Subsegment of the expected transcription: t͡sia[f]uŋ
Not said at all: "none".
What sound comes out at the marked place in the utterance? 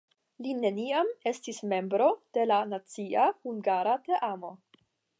h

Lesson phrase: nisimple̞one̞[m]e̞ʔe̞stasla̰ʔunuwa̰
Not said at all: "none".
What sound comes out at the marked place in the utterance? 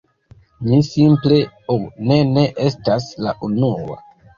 n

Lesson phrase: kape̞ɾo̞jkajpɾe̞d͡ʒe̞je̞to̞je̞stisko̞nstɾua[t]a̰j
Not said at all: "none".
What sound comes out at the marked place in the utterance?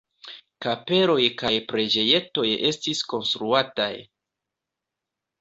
t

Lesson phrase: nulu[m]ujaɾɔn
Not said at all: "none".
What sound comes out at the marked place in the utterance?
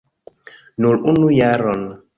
n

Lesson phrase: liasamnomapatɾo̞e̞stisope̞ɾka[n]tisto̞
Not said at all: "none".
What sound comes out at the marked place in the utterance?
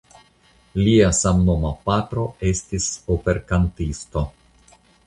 n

